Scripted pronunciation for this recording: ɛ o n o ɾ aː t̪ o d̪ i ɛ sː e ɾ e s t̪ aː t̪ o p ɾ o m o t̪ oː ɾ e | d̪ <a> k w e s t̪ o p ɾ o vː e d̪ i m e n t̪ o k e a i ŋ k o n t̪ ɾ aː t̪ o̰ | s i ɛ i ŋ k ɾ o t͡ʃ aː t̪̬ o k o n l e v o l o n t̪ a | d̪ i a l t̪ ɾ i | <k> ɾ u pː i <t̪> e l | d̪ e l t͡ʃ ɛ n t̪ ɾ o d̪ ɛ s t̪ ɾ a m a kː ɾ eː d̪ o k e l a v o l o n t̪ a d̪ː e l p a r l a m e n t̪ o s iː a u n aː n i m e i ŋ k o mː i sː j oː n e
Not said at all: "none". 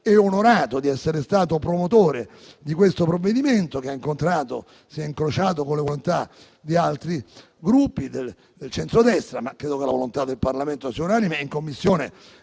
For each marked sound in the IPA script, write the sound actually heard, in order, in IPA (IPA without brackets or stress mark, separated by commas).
i, ɡ, d̪